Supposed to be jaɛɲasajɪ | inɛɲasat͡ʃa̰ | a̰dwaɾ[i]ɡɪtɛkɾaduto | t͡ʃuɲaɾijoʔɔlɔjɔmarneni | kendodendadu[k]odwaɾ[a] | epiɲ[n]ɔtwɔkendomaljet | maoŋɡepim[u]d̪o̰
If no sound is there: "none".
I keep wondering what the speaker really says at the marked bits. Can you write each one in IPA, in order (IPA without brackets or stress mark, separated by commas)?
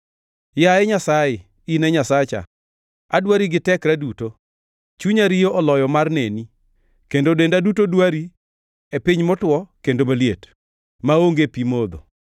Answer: i, t, i, m, o